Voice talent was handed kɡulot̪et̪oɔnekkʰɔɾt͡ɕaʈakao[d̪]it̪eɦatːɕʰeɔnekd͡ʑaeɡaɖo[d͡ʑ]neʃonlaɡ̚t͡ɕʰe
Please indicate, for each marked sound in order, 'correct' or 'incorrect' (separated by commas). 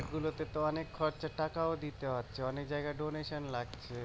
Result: correct, incorrect